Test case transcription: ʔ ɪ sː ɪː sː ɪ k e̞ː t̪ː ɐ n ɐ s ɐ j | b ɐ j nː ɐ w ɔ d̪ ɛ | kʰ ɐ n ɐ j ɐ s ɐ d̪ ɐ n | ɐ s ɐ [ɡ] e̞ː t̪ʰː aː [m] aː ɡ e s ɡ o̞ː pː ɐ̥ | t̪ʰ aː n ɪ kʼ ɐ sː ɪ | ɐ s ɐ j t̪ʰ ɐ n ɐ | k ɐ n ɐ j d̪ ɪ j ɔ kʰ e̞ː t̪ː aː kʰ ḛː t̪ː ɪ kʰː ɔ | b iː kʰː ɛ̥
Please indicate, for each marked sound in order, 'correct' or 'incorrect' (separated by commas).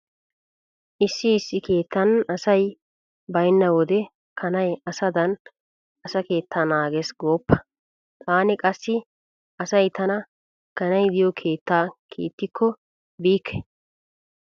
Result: incorrect, incorrect